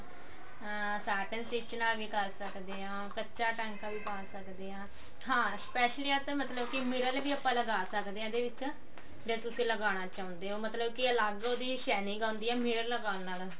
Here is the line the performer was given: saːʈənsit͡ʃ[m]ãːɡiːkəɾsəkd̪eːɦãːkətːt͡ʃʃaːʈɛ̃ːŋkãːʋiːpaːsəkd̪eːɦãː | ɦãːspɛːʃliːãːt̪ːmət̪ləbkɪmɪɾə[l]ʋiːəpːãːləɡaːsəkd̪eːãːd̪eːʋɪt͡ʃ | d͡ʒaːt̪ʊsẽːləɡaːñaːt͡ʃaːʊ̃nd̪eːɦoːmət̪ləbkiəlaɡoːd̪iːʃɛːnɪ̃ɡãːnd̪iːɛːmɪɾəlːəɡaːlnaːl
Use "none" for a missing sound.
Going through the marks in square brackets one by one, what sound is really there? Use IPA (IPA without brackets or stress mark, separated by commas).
n, l